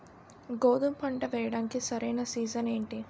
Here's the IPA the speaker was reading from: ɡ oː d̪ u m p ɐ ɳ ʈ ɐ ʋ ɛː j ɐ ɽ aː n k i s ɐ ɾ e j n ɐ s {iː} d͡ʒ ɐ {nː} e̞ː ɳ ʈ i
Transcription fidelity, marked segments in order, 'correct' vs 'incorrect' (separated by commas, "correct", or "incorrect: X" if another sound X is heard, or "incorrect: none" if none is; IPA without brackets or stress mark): correct, incorrect: n